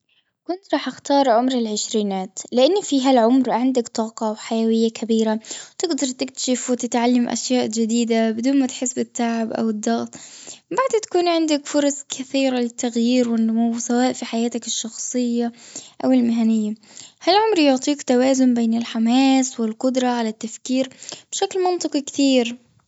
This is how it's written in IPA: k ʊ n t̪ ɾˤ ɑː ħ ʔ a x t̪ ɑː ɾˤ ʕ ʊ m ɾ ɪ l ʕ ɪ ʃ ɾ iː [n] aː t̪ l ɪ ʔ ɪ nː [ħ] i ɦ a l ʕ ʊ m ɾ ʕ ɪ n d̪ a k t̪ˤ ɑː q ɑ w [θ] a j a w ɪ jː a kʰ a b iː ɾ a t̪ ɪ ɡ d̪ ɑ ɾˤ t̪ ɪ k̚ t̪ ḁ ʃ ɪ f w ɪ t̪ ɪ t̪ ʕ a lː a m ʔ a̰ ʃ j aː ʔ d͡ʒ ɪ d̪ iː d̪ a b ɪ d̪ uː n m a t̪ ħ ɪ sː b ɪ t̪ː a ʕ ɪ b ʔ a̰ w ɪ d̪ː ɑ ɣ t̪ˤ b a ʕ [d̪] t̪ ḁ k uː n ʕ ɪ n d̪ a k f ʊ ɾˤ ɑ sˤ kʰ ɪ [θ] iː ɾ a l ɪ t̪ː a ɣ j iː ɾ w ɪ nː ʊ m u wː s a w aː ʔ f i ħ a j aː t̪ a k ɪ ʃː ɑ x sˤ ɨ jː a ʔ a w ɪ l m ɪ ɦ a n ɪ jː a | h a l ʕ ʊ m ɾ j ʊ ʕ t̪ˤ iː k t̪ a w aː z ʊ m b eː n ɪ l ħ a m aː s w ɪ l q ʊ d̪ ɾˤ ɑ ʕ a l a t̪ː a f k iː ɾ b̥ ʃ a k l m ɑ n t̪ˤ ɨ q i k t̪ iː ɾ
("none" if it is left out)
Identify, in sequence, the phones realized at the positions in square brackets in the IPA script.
n, f, ħ, d̪, θ

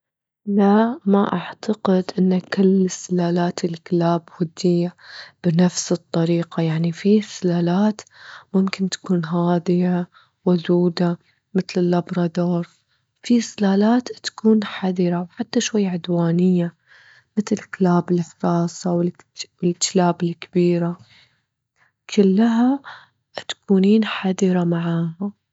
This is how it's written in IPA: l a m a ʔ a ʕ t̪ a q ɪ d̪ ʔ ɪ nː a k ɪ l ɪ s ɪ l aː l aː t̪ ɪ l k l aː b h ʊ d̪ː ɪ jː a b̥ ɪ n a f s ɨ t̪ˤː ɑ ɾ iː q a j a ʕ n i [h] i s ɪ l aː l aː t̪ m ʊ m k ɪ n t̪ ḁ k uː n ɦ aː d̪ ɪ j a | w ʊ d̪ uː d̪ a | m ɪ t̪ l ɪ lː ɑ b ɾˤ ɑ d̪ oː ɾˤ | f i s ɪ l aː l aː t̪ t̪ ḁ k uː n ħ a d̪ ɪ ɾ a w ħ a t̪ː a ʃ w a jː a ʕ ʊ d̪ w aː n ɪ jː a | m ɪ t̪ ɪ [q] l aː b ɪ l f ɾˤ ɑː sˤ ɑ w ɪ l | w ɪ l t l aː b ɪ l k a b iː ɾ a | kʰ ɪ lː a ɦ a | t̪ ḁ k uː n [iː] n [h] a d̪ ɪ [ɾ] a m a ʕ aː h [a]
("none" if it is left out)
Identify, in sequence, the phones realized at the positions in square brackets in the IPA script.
f, k, iː, ħ, ɾ, a

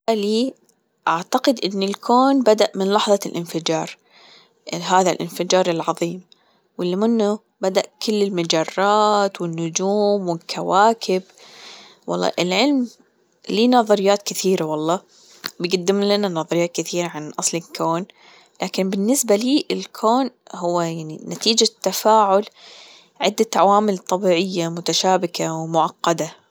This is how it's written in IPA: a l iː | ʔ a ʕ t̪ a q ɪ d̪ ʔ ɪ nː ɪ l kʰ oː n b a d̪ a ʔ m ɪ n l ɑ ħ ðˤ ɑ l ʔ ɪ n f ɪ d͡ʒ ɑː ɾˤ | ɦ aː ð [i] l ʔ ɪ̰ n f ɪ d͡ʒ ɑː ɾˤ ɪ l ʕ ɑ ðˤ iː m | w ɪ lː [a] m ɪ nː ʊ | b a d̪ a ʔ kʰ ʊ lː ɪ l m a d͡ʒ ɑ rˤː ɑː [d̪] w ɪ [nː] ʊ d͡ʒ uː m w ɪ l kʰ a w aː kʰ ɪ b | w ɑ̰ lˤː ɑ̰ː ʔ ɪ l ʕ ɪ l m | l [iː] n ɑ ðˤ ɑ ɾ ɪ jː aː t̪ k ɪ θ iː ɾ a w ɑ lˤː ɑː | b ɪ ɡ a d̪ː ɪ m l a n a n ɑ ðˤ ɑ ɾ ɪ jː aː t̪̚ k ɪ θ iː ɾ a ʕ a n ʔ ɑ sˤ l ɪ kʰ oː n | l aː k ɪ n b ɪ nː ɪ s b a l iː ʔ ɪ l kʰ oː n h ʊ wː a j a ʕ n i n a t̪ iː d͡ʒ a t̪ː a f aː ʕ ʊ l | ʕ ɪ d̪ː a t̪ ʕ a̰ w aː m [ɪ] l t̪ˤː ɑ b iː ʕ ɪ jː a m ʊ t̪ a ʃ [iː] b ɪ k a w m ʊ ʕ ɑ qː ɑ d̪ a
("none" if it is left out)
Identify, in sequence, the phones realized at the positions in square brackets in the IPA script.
a, i, t̪, nː, iː, ɪ, aː

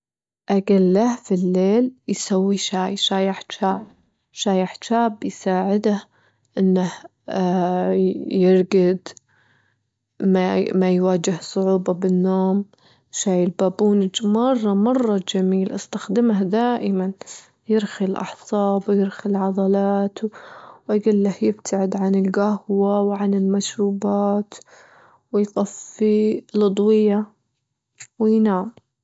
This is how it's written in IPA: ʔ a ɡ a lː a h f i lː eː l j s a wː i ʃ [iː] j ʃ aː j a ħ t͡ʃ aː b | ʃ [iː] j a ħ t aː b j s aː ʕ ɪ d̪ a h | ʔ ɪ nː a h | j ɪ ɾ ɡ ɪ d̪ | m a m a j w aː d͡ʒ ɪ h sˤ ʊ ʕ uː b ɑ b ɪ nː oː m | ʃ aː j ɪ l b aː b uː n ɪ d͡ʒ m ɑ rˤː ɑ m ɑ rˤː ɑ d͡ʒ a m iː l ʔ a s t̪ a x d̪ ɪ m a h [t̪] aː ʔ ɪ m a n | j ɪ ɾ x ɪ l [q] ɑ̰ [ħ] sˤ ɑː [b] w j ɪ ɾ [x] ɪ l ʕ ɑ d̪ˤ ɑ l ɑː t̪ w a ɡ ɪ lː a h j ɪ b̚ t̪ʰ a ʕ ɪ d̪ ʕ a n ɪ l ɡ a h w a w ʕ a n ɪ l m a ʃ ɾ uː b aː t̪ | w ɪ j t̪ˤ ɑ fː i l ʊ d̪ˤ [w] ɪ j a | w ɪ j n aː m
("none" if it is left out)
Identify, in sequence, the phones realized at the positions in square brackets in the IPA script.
aː, aː, d̪, ʔ, ħ, b, x, w

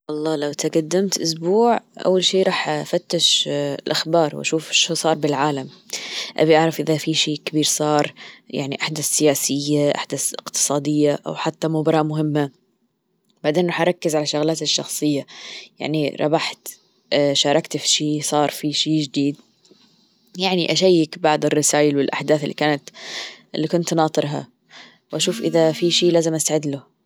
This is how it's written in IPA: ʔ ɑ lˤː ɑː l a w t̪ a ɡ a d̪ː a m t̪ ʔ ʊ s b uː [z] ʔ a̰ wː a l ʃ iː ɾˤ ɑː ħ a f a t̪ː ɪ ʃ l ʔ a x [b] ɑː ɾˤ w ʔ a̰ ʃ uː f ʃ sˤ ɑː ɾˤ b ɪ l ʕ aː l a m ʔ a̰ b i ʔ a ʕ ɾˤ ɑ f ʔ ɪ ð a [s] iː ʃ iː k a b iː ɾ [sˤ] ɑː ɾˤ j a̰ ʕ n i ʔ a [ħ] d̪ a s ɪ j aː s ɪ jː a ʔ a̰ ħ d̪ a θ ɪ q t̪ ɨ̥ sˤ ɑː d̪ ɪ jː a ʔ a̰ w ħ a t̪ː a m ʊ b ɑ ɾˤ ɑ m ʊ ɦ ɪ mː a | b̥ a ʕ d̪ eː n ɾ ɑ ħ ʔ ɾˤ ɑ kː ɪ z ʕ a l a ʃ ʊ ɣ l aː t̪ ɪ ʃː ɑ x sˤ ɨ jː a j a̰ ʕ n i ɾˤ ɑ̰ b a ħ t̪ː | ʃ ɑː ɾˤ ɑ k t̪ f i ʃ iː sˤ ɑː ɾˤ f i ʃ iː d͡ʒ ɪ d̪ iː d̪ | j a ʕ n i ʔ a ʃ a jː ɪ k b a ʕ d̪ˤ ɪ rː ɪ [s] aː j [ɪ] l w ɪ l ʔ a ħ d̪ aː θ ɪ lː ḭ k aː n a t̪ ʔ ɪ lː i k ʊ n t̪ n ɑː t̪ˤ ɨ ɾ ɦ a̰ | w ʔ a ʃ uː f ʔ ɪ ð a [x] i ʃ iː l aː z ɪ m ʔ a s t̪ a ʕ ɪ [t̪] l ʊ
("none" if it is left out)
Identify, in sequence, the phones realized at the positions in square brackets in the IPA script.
ʕ, b, f, sˤ, ħ, s, ɪ, f, d̪

